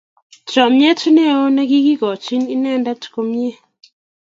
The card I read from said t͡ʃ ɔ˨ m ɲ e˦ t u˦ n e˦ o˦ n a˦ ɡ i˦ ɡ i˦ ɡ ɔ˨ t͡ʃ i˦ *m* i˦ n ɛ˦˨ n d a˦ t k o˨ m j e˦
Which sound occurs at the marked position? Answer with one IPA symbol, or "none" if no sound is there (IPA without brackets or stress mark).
n